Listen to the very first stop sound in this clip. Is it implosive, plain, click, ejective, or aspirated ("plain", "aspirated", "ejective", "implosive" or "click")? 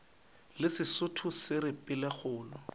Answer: aspirated